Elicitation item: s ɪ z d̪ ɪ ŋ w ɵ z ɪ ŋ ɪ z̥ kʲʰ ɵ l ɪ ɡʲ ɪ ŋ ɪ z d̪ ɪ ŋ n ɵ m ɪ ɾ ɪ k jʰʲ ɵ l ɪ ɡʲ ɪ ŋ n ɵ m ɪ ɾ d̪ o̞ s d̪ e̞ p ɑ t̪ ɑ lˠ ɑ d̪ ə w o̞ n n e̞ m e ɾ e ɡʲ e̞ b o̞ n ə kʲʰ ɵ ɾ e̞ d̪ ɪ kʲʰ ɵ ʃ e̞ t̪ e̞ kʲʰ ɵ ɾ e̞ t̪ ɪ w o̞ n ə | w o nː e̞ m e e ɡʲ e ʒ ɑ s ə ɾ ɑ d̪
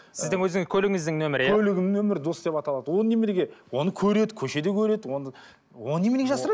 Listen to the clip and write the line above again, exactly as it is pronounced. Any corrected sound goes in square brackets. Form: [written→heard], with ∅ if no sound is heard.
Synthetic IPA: s ɪ z d̪ ɪ ŋ w ɵ z ɪ ŋ ɪ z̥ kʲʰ ɵ l ɪ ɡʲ ɪ ŋ ɪ z d̪ ɪ ŋ n ɵ m ɪ ɾ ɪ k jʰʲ ɵ l ɪ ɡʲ ɪ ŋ n ɵ m ɪ ɾ d̪ o̞ s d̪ e̞ p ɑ t̪ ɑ lˠ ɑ d̪ ə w o̞ n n e̞ m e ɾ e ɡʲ e̞ [b→w] o̞ n ə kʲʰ ɵ ɾ e̞ d̪ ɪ kʲʰ ɵ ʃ e̞ [t̪→d̪] e̞ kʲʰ ɵ ɾ e̞ [t̪→d̪] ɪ w o̞ n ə | w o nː e̞ m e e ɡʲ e ʒ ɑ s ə ɾ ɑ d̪